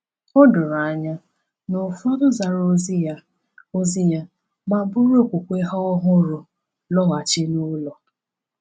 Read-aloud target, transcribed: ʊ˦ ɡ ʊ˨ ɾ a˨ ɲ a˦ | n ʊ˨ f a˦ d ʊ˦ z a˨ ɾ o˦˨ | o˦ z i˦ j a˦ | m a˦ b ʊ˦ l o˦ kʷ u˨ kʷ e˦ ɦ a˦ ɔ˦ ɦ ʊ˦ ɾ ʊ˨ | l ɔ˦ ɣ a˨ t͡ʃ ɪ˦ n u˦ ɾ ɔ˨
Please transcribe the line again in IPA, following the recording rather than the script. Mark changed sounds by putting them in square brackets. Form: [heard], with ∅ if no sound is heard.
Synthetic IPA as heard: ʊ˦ [d] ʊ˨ ɾ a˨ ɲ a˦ | n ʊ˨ f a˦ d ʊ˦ z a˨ ɾ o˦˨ | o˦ z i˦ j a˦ | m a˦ b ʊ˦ [ɾ] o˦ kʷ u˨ kʷ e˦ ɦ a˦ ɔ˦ ɦ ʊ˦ ɾ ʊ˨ | l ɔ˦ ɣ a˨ t͡ʃ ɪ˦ n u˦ [l] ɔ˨